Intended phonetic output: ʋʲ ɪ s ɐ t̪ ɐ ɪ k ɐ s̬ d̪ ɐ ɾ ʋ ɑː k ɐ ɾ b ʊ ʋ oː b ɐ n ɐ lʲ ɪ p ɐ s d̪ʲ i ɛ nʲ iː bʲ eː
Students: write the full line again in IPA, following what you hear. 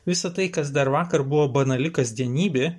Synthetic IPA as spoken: ʋʲ ɪ s ɐ t̪ ɐ ɪ k ɐ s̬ d̪ ɐ ɾ ʋ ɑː k ɐ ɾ b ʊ ʋ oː b ɐ n ɐ lʲ ɪ k ɐ s d̪ʲ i ɛ nʲ iː bʲ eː